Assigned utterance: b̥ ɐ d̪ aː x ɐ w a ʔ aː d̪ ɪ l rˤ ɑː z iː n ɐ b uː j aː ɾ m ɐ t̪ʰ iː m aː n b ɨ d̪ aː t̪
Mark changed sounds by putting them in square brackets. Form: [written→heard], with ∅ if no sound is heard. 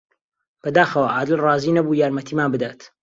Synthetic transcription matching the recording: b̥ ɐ d̪ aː x ɐ w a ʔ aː d̪ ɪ l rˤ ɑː z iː n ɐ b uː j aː ɾ m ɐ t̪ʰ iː m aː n b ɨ d̪ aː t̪

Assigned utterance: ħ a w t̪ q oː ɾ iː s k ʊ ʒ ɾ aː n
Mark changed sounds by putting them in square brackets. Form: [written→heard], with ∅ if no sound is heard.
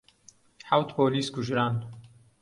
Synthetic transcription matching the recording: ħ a w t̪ [q→p] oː [ɾ→l] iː s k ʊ ʒ ɾ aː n

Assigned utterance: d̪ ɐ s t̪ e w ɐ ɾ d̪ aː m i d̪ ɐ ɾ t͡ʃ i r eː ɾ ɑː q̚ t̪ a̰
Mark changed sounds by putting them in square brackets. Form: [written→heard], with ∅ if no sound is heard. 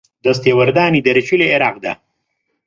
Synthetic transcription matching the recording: d̪ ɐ s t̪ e w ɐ ɾ d̪ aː [m→n] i d̪ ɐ ɾ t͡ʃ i [r→l] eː ɾ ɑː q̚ [t̪→d̪] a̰

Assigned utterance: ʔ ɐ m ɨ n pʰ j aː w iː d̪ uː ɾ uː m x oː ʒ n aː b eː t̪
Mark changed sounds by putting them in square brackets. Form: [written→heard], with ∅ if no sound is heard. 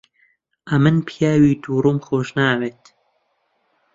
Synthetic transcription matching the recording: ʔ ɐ m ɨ n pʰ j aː w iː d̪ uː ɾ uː m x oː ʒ n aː [b→w] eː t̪

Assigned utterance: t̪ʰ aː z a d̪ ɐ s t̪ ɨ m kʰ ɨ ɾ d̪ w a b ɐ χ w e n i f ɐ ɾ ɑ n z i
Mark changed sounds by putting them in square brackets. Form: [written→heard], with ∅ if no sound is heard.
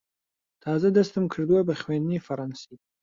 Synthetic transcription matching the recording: t̪ʰ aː z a d̪ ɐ s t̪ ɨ m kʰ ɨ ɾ d̪ w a b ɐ χ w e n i f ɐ ɾ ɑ n [z→s] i

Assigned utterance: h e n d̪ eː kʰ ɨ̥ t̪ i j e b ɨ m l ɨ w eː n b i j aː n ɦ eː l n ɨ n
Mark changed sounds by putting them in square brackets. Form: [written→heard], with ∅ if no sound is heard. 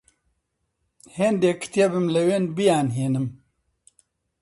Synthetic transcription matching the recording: h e n d̪ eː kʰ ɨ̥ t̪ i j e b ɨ m l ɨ w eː n b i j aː n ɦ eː [l→∅] n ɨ [n→m]

